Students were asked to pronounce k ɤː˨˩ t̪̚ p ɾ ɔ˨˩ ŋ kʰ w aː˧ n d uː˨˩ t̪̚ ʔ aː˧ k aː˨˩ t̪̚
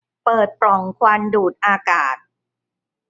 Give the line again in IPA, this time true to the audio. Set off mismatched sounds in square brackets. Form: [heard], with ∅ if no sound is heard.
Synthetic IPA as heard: [p] ɤː˨˩ t̪̚ p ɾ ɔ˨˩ ŋ kʰ w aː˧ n d uː˨˩ t̪̚ ʔ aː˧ k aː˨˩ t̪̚